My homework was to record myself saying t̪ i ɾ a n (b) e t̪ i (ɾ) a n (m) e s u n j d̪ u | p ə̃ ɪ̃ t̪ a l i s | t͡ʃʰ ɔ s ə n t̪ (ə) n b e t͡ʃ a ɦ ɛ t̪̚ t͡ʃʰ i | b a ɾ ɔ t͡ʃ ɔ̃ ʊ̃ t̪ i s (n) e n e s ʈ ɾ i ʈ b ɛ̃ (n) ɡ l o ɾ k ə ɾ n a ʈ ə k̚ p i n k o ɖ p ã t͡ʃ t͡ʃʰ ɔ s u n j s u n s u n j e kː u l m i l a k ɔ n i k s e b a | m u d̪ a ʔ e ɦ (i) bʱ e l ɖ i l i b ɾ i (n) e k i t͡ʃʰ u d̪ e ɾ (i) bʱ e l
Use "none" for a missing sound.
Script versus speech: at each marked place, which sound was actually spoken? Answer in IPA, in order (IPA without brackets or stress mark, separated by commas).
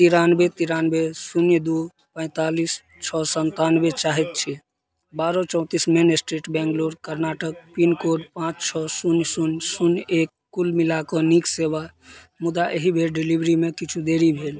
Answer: b, ɾ, b, a, m, ŋ, i, m, i